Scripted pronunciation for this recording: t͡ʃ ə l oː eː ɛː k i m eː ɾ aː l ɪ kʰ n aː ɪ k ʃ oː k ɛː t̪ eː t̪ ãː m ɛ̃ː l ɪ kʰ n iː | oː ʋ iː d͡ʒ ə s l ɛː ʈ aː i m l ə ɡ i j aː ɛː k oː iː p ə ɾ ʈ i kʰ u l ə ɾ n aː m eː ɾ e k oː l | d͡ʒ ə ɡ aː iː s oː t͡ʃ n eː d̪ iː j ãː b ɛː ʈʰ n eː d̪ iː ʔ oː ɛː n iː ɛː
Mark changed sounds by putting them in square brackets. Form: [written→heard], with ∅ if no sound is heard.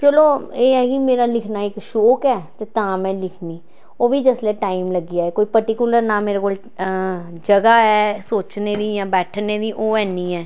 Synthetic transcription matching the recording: t͡ʃ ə l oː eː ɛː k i m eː ɾ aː l ɪ kʰ n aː ɪ k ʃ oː k ɛː t̪ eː t̪ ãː m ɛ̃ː l ɪ kʰ n iː | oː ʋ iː d͡ʒ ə s l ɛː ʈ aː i m l ə ɡ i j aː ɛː k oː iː p ə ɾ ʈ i [kʰ→k] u l ə ɾ n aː m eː ɾ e k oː l | d͡ʒ ə ɡ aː [iː→ɛː] s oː t͡ʃ n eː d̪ iː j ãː b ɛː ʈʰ n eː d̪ iː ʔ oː ɛː n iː ɛː